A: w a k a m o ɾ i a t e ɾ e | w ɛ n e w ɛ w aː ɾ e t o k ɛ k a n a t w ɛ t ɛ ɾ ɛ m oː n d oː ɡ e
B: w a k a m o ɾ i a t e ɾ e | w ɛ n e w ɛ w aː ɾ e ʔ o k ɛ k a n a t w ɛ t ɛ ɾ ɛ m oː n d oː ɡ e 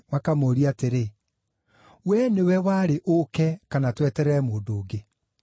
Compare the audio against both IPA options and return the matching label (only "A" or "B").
B